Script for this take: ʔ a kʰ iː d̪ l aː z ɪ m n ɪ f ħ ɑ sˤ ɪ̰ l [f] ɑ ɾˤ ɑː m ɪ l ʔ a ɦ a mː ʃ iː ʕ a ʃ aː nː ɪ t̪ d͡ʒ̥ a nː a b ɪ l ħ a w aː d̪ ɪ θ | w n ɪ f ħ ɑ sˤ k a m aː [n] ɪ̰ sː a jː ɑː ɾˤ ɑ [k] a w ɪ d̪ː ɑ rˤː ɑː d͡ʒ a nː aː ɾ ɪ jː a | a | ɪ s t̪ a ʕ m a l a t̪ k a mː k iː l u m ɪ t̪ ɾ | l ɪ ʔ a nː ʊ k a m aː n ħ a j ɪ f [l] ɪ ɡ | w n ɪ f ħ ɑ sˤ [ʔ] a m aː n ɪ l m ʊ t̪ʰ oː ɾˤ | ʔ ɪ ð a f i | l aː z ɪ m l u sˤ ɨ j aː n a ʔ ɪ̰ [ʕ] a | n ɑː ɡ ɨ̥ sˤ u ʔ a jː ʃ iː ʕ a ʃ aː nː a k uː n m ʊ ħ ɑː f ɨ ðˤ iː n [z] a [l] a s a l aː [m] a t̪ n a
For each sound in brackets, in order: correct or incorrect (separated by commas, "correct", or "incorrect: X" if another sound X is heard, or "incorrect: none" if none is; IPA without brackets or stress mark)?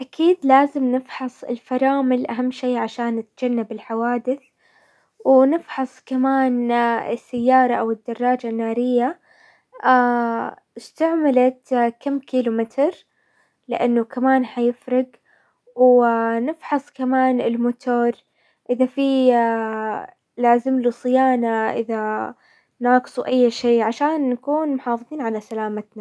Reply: correct, correct, incorrect: ʔ, incorrect: ɾ, incorrect: k, incorrect: ð, incorrect: ʕ, correct, correct